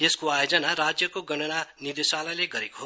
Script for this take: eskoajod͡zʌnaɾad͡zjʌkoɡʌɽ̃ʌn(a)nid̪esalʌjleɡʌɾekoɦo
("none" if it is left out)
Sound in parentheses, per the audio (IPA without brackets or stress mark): a